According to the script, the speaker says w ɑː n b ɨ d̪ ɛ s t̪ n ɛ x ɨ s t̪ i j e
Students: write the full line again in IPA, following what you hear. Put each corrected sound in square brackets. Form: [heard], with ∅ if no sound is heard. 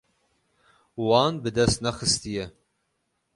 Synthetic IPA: w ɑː n b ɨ d̪ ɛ s t̪ n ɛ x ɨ s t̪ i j [ɛ]